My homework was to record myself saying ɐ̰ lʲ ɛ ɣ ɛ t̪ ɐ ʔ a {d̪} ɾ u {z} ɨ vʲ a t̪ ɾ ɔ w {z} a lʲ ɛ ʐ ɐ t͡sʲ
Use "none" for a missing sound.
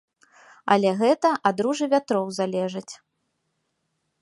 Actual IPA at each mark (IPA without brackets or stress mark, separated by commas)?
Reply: d̪, ʐ, z